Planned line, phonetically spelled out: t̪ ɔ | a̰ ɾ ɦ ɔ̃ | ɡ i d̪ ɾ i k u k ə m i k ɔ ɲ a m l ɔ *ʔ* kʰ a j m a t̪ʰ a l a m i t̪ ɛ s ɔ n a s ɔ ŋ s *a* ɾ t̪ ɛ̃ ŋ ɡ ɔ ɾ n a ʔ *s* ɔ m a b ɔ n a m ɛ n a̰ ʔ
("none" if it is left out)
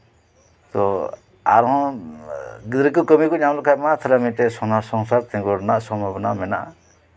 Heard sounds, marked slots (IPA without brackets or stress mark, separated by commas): none, a, s